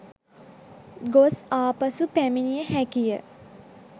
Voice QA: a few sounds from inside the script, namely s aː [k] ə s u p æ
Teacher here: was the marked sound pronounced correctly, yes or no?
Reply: no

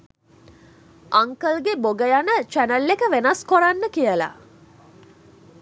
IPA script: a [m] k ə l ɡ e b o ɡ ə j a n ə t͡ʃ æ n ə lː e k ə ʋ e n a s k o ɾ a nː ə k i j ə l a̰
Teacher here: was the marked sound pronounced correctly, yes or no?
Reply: no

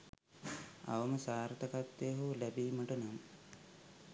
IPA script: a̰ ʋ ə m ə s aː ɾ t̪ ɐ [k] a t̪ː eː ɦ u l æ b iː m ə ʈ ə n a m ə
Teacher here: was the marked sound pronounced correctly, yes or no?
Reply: yes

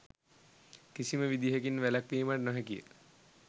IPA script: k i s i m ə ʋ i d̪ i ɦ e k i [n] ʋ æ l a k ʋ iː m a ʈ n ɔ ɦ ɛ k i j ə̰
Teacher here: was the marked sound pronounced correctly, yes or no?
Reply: yes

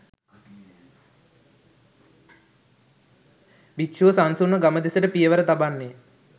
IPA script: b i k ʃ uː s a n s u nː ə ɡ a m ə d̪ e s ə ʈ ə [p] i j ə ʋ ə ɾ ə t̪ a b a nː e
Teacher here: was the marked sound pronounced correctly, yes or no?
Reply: yes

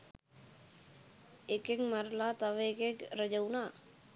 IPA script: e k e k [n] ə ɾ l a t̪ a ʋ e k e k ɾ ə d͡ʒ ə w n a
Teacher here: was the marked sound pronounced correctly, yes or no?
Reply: no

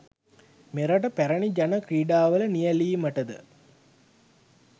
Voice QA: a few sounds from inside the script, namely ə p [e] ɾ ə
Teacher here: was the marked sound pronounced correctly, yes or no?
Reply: no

